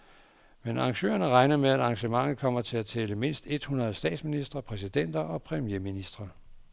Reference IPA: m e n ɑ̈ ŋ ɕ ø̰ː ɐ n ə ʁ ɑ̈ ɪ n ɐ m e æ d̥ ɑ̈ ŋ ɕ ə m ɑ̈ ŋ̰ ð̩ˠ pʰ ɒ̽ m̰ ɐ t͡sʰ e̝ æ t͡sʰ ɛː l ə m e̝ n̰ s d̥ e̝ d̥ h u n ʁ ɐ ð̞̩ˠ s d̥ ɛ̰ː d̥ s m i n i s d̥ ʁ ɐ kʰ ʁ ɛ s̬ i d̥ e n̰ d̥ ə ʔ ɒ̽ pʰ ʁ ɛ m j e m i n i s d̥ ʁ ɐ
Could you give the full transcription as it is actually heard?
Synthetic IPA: m e n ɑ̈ ŋ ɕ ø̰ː ɐ n ə ʁ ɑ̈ ɪ n ɐ m e æ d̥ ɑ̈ ŋ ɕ ə m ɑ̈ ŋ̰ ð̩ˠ kʰ ɒ̽ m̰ ɐ t͡sʰ e̝ æ t͡sʰ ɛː l ə m e̝ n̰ s d̥ e̝ d̥ h u n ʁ ɐ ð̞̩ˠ s d̥ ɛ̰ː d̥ s m i n i s d̥ ʁ ɐ pʰ ʁ ɛ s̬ i d̥ e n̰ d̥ ɐ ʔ ɒ̽ pʰ ʁ ɛ m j e m i n i s d̥ ʁ ɐ